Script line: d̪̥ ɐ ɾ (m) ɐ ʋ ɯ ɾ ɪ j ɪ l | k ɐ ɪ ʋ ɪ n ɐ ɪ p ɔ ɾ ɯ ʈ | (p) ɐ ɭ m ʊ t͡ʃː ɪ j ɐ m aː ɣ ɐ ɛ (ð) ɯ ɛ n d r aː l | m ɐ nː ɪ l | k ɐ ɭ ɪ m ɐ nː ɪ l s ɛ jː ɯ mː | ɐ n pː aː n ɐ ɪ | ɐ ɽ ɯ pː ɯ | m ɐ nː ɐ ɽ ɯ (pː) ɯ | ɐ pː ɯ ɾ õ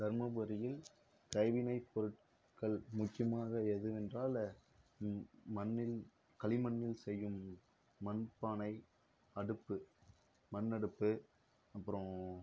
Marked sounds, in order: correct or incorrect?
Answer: correct, incorrect, correct, correct

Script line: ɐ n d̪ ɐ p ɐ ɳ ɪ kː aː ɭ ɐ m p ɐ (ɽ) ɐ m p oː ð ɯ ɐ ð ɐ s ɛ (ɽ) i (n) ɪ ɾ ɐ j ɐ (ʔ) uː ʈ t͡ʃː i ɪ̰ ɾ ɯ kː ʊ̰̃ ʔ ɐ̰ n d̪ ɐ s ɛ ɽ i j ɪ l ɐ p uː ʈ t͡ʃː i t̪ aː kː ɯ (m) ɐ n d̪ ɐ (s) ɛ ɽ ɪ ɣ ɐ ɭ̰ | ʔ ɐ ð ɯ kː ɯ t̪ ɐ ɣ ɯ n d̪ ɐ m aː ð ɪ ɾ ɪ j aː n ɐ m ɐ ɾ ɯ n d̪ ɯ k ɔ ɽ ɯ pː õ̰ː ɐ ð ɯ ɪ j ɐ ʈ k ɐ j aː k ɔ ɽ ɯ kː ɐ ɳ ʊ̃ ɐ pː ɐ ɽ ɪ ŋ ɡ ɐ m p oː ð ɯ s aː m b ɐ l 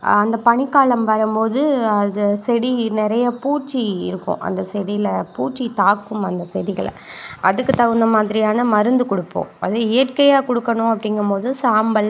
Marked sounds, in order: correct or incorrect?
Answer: incorrect, correct, correct, incorrect, correct, correct

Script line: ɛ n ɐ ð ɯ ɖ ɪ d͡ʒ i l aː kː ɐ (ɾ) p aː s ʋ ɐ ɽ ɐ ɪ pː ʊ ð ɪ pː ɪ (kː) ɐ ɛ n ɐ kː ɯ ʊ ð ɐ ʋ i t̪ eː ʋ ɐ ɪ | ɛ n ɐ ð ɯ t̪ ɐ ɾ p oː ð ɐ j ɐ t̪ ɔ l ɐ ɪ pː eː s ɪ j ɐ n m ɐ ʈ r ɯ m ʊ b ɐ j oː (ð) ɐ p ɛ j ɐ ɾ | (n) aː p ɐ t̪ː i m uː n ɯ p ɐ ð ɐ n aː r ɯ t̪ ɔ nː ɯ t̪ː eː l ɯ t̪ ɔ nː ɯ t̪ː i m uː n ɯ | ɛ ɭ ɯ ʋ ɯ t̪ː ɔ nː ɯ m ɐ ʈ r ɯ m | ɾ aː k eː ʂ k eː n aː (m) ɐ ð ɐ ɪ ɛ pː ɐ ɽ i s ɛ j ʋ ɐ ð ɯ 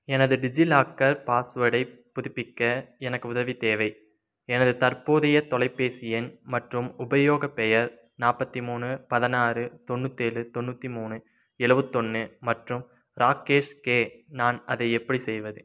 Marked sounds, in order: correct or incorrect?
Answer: correct, correct, incorrect, correct, incorrect

